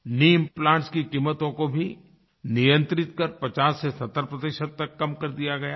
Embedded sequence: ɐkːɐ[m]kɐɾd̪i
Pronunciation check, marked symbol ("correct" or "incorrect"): correct